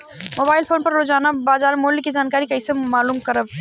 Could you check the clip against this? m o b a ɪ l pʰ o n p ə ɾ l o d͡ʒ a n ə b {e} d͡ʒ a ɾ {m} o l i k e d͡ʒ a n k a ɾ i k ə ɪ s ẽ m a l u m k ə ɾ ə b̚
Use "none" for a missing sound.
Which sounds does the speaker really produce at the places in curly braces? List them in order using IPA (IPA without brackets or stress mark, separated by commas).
a, m